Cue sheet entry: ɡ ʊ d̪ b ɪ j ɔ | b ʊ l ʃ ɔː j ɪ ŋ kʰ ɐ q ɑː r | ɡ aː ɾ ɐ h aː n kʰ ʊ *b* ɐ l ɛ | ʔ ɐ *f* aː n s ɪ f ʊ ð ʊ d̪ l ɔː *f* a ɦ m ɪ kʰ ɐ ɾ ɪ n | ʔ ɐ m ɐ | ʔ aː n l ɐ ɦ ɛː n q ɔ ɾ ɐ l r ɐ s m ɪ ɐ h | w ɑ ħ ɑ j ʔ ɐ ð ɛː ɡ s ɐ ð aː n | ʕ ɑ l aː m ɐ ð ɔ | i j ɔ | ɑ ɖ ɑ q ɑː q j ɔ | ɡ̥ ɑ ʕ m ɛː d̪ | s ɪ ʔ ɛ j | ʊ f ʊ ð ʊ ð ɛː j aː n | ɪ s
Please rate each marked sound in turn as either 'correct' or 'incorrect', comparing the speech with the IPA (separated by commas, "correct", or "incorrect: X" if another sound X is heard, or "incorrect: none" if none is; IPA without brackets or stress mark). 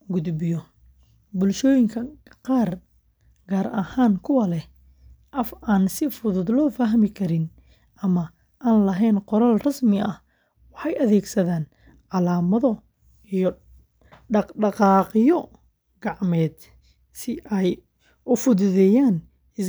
incorrect: w, correct, correct